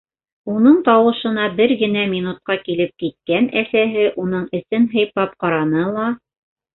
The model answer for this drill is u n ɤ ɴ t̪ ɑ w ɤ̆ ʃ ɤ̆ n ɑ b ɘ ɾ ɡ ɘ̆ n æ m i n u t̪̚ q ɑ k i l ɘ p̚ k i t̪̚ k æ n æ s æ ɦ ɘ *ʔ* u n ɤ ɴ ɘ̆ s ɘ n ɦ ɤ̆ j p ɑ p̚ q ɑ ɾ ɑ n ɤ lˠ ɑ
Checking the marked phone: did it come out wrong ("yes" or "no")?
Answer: no